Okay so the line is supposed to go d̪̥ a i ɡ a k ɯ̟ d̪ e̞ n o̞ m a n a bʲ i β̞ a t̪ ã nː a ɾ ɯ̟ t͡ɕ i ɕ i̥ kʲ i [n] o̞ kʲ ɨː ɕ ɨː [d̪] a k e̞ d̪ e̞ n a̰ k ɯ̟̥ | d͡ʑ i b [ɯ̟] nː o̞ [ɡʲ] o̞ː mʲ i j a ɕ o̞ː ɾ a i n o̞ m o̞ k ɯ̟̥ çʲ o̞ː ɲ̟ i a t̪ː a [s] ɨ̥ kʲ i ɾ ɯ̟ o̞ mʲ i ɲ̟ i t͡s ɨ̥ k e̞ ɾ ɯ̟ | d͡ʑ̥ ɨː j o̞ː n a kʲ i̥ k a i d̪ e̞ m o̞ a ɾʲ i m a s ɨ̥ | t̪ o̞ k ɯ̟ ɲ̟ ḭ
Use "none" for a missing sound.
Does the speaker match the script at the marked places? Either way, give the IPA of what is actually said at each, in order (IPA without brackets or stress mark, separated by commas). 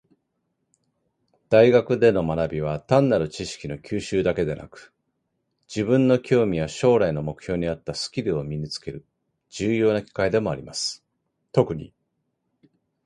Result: n, d̪, ɯ̟̃, kʲ, s